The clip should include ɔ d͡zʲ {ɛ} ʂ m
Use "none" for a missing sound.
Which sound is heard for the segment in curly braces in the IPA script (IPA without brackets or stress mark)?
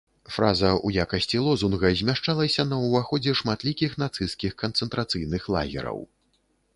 ɛ